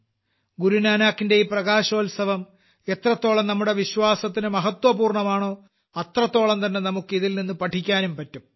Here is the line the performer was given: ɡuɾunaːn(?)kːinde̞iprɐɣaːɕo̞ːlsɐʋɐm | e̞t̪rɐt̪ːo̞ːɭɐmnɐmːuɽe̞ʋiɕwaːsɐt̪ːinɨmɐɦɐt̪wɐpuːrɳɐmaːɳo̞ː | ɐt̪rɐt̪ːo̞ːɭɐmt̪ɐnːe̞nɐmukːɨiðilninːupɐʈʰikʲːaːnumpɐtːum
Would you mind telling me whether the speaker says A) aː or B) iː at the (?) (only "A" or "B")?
A